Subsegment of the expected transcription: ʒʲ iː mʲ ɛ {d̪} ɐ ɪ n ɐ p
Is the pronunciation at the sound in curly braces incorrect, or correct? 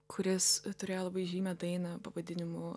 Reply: correct